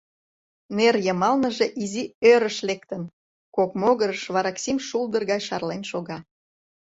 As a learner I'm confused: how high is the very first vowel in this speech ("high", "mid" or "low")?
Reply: mid